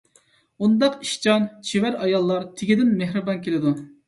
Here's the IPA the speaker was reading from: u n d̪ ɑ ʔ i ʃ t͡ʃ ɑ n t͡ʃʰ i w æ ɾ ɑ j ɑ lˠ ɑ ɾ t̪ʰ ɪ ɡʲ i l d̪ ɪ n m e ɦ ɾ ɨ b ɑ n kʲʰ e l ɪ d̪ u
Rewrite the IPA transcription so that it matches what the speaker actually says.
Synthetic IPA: u n d̪ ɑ q i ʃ t͡ʃ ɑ n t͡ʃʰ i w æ ɾ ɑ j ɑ lˠː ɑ ɾ t̪ʰ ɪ ɡʲ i d̪ ɪ n m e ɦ ɾ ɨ b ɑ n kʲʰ e l ɪ d̪ u